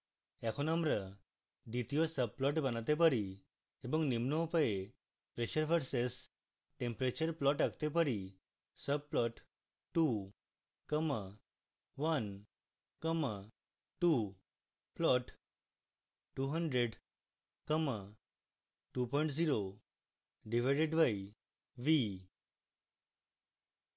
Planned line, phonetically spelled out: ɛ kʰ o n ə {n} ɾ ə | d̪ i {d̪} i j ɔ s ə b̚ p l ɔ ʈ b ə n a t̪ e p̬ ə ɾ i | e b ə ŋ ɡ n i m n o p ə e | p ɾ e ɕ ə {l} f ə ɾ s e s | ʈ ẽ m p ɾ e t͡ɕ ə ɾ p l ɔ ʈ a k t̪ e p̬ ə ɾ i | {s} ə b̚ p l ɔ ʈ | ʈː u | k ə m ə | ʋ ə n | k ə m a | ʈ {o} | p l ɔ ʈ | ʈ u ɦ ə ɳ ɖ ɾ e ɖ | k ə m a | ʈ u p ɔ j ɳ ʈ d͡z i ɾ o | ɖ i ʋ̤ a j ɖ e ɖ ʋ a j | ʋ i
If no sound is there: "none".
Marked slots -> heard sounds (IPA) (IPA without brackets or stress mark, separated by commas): m, t̪, ɾ, s, u